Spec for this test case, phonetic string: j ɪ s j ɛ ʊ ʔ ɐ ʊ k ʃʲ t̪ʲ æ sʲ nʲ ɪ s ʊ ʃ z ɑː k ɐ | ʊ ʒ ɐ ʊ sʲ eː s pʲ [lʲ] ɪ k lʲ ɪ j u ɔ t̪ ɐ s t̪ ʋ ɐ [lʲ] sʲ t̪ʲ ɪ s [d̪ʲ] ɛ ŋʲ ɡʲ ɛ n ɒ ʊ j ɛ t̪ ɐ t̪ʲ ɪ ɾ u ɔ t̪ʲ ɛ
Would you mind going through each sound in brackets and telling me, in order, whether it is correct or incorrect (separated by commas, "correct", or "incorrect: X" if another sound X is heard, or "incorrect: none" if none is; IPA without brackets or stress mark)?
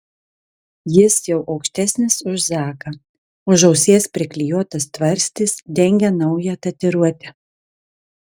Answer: incorrect: ɾʲ, incorrect: ɾʲ, correct